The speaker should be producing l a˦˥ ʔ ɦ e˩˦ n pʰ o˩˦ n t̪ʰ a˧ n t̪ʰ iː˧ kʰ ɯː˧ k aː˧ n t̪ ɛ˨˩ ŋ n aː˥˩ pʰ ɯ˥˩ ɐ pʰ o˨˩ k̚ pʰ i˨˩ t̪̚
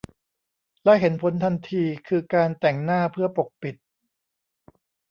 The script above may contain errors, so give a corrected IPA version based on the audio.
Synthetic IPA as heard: l ɛ˦˥ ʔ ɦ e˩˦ n pʰ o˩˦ n t̪ʰ a˧ n t̪ʰ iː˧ kʰ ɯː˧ k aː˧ n t̪ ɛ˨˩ ŋ n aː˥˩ pʰ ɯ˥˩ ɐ p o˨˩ k̚ p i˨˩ t̪̚